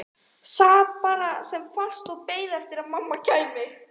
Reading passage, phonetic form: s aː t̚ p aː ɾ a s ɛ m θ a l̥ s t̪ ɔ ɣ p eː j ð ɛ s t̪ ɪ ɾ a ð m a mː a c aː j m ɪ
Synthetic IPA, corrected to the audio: s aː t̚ p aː ɾ a s ɛ m f a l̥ s t̪ ɔ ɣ p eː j ð ɛ f t̪ ɪ ɾ a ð m a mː a c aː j m ɪ